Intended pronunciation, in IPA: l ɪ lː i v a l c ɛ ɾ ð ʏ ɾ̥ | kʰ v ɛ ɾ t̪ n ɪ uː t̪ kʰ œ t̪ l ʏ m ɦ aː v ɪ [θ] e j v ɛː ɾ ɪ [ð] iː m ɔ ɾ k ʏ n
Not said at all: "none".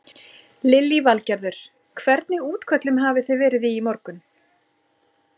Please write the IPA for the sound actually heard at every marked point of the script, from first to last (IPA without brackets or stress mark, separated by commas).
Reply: θ, ð